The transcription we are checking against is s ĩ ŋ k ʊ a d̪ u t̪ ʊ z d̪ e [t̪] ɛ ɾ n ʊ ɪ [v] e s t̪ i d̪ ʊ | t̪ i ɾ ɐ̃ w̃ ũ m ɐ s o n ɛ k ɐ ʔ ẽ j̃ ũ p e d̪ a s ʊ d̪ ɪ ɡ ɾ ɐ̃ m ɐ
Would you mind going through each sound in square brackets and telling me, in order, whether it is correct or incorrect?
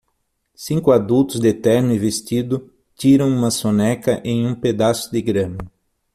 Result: correct, correct

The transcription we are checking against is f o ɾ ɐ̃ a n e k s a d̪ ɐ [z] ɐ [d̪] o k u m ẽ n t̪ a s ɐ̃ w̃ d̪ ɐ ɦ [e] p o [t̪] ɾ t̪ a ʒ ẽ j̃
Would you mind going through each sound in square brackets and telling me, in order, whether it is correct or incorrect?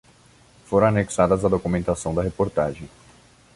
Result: correct, correct, correct, incorrect

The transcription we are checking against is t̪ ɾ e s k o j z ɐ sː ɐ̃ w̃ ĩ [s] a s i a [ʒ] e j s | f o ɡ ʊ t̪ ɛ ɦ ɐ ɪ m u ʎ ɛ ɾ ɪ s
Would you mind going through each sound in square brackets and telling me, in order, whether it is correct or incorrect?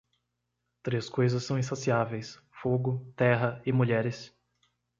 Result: correct, incorrect

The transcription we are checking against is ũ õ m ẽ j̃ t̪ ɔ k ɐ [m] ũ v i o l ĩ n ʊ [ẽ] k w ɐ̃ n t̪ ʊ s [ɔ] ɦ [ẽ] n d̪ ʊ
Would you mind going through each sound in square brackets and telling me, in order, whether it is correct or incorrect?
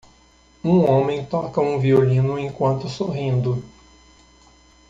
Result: incorrect, correct, incorrect, incorrect

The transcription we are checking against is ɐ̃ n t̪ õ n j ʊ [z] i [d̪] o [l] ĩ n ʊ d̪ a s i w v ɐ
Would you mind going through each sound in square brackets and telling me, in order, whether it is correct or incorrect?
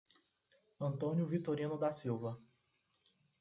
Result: incorrect, incorrect, incorrect

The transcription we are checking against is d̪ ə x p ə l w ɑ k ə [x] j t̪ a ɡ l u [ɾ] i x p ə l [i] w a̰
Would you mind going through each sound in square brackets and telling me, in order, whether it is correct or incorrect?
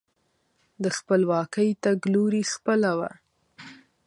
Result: incorrect, correct, incorrect

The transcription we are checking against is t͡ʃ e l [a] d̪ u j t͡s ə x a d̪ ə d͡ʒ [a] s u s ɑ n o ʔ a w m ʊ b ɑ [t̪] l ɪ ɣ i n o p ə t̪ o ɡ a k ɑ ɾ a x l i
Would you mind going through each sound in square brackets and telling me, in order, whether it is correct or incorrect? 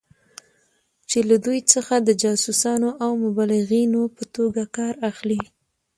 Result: correct, incorrect, incorrect

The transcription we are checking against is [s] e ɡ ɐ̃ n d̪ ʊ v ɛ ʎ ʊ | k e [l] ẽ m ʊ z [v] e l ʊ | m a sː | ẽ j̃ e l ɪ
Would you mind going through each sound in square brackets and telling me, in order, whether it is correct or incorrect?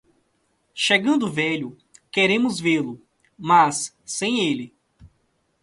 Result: incorrect, incorrect, correct

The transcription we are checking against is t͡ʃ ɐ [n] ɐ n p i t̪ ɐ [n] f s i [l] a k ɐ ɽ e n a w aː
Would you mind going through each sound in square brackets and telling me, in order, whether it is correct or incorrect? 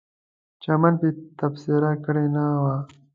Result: incorrect, incorrect, incorrect

